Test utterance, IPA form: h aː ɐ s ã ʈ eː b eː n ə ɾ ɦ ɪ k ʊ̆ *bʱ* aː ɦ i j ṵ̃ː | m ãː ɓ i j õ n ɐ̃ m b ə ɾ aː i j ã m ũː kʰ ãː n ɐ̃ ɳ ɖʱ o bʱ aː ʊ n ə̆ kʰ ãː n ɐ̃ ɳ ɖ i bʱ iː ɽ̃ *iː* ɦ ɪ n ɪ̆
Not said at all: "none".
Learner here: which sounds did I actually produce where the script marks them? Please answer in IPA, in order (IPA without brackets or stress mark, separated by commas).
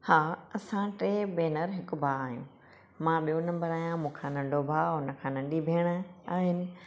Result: bʱ, aː